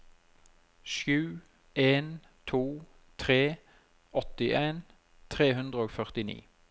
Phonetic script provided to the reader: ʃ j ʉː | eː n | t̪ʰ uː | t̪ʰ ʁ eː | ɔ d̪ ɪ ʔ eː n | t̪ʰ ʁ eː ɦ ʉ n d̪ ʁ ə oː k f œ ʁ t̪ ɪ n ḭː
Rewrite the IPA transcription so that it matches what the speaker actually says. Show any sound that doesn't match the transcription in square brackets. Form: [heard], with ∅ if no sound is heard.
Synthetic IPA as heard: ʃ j ʉː | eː n | t̪ʰ uː | t̪ʰ ʁ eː | ɔ [t̪] ɪ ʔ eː n | t̪ʰ ʁ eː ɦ ʉ n d̪ ʁ ə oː [ɡ] f œ ʁ t̪ ɪ n ḭː